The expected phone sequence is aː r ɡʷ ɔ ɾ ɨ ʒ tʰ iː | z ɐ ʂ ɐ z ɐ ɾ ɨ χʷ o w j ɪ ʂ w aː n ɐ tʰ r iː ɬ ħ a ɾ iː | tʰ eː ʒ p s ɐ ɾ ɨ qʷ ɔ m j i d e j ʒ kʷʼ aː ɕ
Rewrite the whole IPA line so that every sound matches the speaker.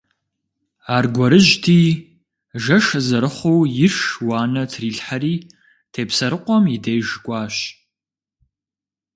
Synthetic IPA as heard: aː r ɡʷ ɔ ɾ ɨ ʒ tʰ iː | ʒ ɐ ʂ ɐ z ɐ ɾ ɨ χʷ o w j ɪ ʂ w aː n ɐ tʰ r iː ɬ ħ a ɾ iː | tʰ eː p s ɐ ɾ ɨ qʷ ɔ m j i d e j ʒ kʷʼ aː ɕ